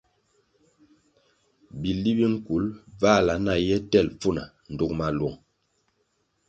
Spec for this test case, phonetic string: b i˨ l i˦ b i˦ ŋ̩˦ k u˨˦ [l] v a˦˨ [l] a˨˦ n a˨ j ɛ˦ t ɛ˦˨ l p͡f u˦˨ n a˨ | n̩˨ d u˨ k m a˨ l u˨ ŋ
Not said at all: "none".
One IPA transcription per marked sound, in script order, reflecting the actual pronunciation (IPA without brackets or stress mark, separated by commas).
l, l